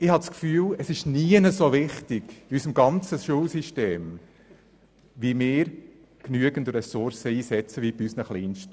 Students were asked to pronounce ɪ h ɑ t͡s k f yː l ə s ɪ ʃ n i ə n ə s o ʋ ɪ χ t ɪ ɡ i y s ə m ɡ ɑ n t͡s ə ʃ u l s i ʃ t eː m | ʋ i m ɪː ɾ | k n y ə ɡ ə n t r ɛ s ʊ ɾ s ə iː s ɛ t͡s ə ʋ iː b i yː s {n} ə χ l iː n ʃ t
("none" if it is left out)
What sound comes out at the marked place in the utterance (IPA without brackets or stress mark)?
n